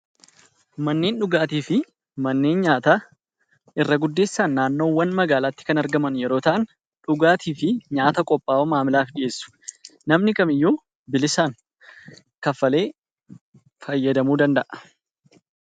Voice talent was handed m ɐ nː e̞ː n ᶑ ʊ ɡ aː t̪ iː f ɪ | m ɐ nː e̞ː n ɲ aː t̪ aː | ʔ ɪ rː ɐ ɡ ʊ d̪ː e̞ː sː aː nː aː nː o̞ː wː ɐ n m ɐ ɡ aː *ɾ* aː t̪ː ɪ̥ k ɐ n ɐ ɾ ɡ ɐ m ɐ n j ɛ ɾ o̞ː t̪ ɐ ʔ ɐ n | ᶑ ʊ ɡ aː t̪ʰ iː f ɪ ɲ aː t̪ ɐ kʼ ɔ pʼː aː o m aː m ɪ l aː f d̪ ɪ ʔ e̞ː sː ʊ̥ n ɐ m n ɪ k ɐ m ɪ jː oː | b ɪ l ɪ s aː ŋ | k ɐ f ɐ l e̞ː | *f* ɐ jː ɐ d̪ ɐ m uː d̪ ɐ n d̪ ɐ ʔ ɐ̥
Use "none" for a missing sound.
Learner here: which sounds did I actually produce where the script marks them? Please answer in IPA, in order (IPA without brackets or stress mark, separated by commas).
l, f